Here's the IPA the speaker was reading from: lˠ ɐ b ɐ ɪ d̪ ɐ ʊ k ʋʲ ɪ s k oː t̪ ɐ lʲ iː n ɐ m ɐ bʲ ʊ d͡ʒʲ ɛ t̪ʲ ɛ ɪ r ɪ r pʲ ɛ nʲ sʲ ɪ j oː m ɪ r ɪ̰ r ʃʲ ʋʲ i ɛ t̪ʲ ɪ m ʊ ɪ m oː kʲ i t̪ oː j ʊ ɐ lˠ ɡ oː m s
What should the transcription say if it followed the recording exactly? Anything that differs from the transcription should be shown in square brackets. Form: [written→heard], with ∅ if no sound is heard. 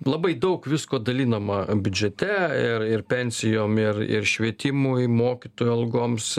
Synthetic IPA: lˠ ɐ b ɐ ɪ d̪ ɐ ʊ k ʋʲ ɪ s k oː [t̪→d̪] ɐ lʲ iː n ɐ m ɐ bʲ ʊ d͡ʒʲ ɛ t̪ʲ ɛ ɪ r ɪ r pʲ ɛ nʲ sʲ ɪ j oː m ɪ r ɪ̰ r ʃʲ ʋʲ i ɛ t̪ʲ ɪ m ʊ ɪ m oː kʲ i t̪ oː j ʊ ɐ lˠ ɡ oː m s

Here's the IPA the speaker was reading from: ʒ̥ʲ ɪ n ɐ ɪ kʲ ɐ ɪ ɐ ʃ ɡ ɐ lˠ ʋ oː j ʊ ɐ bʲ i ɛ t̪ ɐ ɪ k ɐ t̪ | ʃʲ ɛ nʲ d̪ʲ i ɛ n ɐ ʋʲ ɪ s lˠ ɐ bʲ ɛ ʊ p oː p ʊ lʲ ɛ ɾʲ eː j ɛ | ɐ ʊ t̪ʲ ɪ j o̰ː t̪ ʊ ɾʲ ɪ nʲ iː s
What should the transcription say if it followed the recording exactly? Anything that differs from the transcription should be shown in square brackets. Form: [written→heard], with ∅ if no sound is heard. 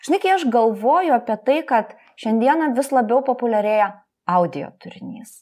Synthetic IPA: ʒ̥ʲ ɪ n ɐ ɪ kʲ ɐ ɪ ɐ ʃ ɡ ɐ lˠ ʋ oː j ʊ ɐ [bʲ→pʲ] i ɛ t̪ ɐ ɪ k ɐ t̪ | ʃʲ ɛ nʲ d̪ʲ i ɛ n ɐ ʋʲ ɪ s lˠ ɐ bʲ ɛ ʊ p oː p ʊ lʲ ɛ ɾʲ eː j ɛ | ɐ ʊ [t̪ʲ→d̪ʲ] ɪ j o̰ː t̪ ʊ ɾʲ ɪ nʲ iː s

